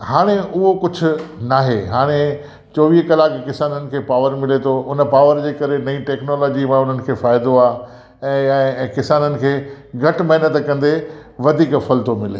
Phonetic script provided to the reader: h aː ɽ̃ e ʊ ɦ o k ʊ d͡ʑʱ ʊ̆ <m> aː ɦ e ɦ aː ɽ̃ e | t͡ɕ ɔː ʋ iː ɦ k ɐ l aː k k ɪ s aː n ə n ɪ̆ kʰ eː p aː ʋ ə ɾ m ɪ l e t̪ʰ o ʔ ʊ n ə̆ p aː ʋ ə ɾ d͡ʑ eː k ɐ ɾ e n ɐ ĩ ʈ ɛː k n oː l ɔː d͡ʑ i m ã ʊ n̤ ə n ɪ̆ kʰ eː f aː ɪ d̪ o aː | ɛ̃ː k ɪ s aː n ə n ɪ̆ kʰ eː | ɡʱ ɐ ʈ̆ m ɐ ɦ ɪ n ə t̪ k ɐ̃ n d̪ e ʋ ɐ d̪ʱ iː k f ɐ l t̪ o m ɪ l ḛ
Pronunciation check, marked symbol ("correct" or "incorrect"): incorrect